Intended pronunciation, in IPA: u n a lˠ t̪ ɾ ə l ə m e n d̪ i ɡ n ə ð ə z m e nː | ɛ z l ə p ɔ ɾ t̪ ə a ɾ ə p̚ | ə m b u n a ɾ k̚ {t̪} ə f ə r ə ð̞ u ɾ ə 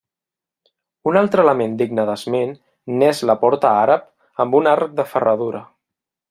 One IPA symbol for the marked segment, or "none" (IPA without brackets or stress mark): d̪